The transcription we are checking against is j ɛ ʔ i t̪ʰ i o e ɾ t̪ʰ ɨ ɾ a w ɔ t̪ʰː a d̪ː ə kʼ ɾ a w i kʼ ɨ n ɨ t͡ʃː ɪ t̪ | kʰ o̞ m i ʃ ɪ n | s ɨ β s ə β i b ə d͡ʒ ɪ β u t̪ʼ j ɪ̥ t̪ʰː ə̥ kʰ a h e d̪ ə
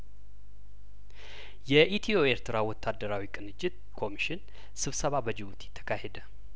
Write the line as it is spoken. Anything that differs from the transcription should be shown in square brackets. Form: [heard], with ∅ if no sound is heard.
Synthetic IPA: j ɛ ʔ i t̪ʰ i o e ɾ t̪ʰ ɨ ɾ a w ɔ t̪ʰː a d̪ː ə [∅] ɾ a w i kʼ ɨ n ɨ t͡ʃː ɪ t̪ | kʰ o̞ m i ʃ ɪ n | s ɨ β s ə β [a] b ə d͡ʒ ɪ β u [t̪] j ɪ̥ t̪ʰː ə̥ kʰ a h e d̪ ə